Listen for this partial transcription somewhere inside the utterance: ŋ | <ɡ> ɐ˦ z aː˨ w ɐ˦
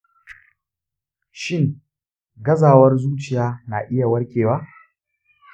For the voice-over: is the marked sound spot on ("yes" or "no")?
yes